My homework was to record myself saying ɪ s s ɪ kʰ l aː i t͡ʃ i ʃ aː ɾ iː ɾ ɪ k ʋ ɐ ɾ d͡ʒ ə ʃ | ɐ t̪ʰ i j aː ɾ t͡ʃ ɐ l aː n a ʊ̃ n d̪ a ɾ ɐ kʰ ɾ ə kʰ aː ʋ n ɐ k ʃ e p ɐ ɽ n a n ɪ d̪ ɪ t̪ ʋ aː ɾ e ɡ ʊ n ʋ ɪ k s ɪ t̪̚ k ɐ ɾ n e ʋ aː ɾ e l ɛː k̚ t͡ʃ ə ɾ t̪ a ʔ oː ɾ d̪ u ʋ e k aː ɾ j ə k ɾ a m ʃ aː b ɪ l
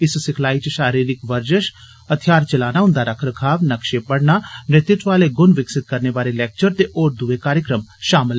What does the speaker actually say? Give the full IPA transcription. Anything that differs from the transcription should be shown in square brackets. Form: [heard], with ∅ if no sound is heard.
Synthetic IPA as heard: ɪ s s ɪ kʰ l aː i t͡ʃ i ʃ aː ɾ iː ɾ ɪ k ʋ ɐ ɾ d͡ʒ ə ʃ | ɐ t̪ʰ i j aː ɾ t͡ʃ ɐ l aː n a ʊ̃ n d̪ a ɾ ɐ kʰ ɾ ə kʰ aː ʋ n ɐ k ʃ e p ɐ ɽ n a n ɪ [t̪] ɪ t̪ ʋ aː [l] e ɡ ʊ n ʋ ɪ k s ɪ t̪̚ k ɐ ɾ n e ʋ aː ɾ e l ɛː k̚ t͡ʃ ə ɾ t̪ [e] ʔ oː ɾ d̪ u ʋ e k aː ɾ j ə k ɾ [ə] m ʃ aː [m] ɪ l

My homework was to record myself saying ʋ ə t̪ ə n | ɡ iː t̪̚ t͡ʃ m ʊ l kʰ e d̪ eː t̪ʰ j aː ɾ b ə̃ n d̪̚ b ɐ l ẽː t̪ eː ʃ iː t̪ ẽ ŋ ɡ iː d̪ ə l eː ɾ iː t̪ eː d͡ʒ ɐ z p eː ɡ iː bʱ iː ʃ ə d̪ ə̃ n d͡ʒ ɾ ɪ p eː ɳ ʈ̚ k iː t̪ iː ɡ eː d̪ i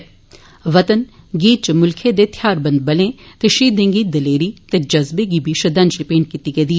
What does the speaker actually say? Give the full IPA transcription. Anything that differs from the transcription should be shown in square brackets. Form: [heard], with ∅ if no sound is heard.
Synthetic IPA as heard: ʋ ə t̪ ə n | ɡ iː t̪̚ t͡ʃ m ʊ l kʰ e d̪ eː t̪ʰ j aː ɾ b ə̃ n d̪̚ b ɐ l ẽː t̪ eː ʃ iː [d̪] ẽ ŋ ɡ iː d̪ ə l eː ɾ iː t̪ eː d͡ʒ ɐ z [b] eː ɡ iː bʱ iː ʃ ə d̪ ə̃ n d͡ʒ ɾ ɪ p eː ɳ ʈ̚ k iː t̪ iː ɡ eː d̪ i

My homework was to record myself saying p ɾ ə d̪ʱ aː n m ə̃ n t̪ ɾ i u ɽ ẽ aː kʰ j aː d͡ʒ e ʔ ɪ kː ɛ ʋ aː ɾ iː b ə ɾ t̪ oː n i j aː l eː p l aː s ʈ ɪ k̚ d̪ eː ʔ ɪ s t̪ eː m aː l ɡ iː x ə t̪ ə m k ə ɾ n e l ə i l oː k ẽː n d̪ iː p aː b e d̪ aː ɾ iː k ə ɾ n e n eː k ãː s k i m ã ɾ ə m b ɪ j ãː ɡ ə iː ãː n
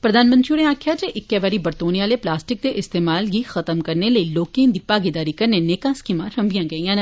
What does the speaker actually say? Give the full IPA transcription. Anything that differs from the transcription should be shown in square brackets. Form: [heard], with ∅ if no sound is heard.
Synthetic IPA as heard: p ɾ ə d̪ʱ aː n m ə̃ n t̪ ɾ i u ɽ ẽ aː kʰ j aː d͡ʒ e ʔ ɪ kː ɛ ʋ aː ɾ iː b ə ɾ t̪ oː n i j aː l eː p l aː s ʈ ɪ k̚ d̪ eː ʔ ɪ s t̪ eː m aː l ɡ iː x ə t̪ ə m k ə ɾ n e l ə i l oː k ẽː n d̪ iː p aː [ɡ] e d̪ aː ɾ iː k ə ɾ n e n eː k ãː s k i m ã ɾ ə m b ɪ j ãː ɡ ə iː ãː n

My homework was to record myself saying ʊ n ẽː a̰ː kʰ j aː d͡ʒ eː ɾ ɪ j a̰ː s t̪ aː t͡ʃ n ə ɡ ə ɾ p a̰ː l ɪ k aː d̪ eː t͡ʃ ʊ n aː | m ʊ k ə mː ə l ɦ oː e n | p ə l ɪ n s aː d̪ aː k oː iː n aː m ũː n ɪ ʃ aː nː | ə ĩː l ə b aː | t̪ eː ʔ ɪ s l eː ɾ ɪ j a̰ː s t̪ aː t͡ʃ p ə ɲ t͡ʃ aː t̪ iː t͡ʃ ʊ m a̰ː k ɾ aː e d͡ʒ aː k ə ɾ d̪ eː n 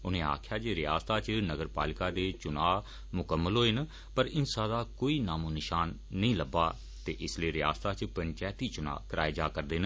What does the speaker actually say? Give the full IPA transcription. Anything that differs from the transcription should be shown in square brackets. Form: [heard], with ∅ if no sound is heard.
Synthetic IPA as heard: ʊ n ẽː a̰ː kʰ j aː d͡ʒ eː ɾ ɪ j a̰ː s t̪ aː t͡ʃ n ə ɡ ə ɾ p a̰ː l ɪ k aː d̪ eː t͡ʃ ʊ n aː | m ʊ k ə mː ə l ɦ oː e n | p ə [ɾ] ɪ n s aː d̪ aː k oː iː n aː m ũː n ɪ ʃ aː nː | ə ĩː l ə b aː | t̪ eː ʔ ɪ s l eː ɾ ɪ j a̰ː s t̪ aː t͡ʃ p ə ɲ t͡ʃ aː t̪ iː t͡ʃ ʊ [n] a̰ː k ɾ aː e d͡ʒ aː k ə ɾ d̪ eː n

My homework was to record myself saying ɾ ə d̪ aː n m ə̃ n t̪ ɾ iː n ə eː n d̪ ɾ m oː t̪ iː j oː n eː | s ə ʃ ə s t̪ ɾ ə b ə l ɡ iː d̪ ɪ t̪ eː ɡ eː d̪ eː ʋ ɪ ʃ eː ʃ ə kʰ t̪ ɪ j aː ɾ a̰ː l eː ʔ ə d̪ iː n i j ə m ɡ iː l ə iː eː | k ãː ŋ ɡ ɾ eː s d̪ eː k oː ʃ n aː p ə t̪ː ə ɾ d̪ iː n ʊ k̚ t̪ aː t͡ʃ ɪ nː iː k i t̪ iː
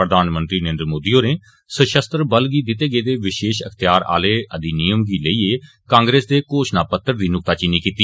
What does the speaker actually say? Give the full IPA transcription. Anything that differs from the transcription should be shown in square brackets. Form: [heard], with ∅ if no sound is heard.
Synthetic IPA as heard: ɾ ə d̪ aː n m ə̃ n t̪ ɾ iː n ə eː n d̪ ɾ m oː [d̪] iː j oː n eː | s ə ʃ ə s t̪ ɾ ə b ə l ɡ iː d̪ ɪ t̪ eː ɡ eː d̪ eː ʋ ɪ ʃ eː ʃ ə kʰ t̪ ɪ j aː ɾ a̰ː l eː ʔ ə d̪ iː n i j ə m ɡ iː l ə iː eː | k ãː ŋ ɡ ɾ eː s d̪ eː k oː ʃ n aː p ə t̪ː ə ɾ d̪ iː n ʊ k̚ t̪ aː t͡ʃ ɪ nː iː k [iː] t̪ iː

